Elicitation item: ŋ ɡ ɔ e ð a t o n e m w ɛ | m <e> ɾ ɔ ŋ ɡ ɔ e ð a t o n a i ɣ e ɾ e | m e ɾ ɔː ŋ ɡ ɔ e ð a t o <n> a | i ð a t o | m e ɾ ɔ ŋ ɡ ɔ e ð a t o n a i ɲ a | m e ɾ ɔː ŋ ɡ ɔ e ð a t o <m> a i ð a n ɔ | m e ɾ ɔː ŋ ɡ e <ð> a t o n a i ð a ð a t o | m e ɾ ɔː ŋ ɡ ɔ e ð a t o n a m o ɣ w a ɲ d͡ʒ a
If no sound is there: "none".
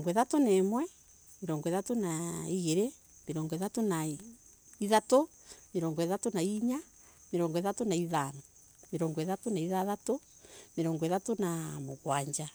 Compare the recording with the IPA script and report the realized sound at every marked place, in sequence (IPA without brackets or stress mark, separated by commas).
e, n, n, ð